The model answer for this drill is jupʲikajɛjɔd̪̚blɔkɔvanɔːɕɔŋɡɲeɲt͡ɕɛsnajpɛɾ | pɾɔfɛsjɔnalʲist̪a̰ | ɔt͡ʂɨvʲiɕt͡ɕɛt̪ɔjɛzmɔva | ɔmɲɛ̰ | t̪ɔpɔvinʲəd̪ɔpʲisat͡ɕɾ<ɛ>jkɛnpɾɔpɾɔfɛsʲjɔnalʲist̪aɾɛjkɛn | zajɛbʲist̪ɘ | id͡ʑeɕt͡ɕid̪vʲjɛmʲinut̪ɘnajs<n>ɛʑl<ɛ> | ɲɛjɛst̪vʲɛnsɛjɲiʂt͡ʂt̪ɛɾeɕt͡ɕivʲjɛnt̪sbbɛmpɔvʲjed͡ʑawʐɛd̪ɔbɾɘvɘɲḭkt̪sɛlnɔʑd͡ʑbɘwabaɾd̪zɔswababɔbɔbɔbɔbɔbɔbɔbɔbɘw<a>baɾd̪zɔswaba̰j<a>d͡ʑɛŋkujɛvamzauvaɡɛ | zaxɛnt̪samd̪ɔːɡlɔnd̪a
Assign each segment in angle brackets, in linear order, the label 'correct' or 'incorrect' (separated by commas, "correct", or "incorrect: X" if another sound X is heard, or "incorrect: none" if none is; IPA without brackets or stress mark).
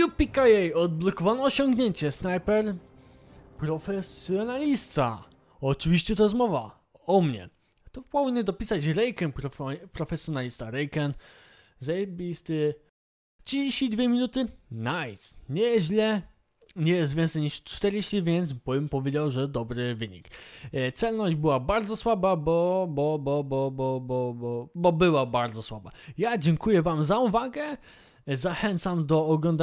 correct, incorrect: ɲ, correct, correct, correct